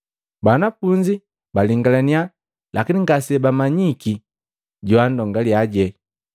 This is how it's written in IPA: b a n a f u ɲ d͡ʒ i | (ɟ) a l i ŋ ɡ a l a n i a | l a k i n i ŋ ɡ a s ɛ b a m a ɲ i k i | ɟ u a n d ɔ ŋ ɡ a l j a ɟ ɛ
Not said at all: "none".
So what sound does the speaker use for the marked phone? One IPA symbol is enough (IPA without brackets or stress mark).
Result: b